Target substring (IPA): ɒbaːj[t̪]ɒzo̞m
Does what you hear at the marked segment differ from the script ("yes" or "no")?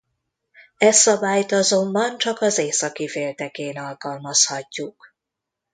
no